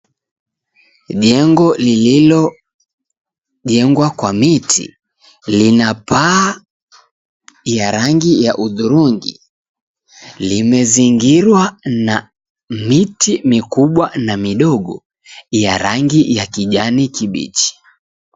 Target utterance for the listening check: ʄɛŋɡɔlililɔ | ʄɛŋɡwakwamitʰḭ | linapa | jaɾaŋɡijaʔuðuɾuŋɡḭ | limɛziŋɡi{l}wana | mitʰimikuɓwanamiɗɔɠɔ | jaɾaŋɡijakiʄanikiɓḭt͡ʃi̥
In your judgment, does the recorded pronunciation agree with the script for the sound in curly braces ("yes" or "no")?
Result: no